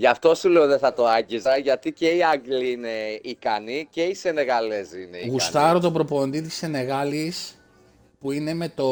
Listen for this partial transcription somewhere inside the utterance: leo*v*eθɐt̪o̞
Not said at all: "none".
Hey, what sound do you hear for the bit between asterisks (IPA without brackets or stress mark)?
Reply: ð